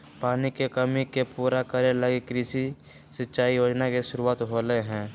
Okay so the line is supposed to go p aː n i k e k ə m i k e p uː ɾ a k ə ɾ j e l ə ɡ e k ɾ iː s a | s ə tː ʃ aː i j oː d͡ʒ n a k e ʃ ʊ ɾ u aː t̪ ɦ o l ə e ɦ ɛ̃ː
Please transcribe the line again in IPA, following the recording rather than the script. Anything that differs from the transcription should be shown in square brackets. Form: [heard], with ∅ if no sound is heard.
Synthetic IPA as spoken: p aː n i k e k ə m i k e p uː ɾ a k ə ɾ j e l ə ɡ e k ɾ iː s [i] | s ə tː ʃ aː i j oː d͡ʒ n a k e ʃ ʊ ɾ u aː t̪ ɦ o l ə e ɦ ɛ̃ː